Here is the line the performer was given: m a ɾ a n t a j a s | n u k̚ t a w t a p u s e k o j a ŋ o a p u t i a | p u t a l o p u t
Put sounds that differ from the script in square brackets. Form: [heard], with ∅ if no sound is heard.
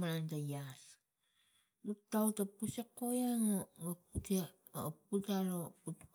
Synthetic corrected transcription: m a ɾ a n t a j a s | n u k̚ t a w t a p u s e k o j a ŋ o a p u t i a | p u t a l o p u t